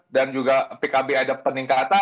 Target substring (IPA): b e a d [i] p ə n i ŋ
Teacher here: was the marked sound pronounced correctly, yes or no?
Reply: no